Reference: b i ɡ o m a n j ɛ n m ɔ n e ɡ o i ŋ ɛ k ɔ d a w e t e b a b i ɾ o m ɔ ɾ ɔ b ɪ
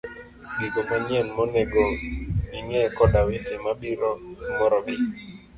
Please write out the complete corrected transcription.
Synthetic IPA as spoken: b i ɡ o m a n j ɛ n m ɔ n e ɡ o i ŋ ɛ k ɔ d a w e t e m a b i ɾ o m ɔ ɾ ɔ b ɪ

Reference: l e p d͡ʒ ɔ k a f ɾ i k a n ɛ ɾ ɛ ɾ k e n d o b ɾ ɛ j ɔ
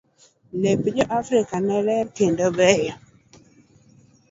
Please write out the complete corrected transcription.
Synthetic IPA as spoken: l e p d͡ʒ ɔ ʔ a f ɾ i k a n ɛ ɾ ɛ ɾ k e n d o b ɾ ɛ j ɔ

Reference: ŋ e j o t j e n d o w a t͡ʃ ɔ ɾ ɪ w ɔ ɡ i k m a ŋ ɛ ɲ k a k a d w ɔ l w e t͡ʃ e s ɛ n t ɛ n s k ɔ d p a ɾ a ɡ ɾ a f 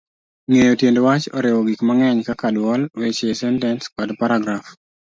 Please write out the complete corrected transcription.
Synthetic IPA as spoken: ŋ e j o t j e n d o w a t͡ʃ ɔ ɾ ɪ w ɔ ɡ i k m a ŋ ɛ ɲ k a k a d w ɔ l w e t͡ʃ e s ɛ n t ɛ n s k ɔ d p a ɾ a ɡ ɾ a f

